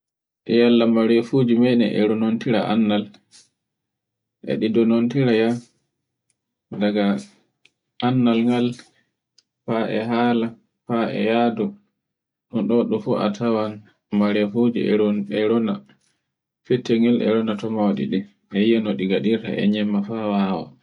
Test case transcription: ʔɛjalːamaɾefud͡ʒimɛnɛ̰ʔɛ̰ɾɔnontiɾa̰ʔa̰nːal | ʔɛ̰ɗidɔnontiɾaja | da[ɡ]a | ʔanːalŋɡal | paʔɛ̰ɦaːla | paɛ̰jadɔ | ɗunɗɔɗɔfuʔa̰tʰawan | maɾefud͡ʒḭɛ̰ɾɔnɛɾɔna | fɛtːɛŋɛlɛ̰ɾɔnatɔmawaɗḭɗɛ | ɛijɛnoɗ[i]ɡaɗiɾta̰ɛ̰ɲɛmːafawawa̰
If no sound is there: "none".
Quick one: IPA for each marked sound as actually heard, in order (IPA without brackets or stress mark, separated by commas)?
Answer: ɡ, i